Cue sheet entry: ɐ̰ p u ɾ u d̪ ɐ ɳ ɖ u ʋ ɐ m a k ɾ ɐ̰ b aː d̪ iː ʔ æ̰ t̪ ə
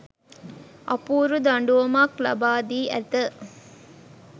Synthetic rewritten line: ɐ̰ p uː ɾ u d̪ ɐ ɳ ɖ u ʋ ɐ m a k l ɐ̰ b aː d̪ iː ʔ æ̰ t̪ ə

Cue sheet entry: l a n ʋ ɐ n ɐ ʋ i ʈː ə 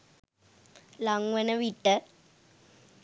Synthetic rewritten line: l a ŋ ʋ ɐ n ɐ ʋ i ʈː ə

